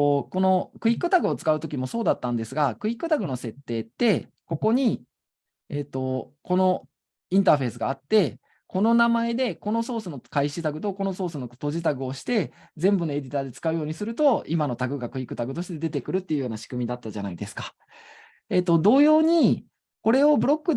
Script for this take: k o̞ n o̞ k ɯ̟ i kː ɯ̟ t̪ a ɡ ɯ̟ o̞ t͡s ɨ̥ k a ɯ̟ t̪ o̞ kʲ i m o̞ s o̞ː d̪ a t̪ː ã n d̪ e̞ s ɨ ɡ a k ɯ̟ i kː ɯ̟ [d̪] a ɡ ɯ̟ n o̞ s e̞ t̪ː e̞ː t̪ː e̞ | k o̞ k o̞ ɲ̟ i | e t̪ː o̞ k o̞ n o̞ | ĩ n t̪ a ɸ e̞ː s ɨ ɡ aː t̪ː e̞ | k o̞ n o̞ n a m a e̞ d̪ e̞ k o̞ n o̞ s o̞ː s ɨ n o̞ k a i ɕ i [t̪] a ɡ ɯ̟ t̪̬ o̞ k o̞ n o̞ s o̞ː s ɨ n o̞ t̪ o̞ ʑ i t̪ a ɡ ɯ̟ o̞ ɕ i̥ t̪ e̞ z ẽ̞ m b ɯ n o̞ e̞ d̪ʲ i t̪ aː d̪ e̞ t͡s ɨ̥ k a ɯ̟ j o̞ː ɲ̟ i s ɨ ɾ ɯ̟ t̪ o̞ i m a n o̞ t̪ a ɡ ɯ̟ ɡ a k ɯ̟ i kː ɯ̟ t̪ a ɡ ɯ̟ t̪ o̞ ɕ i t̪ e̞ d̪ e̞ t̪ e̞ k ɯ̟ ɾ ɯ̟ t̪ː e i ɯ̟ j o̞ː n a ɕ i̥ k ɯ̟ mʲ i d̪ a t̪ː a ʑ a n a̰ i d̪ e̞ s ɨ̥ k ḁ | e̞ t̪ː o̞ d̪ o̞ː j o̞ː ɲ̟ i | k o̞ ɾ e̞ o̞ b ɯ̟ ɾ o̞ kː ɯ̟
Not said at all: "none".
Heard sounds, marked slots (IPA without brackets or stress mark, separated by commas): t̪, t̪